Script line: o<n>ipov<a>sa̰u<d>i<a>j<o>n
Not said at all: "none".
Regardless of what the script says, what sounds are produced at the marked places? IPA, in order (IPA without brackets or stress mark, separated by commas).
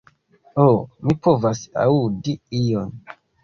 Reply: m, a, d, i, o